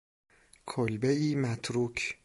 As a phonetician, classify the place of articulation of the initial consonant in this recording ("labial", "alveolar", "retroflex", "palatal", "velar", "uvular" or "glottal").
velar